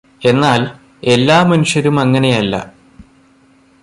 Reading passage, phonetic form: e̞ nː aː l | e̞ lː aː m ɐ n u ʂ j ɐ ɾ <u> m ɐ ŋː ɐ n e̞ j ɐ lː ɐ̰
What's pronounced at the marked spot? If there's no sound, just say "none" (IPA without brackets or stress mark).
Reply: u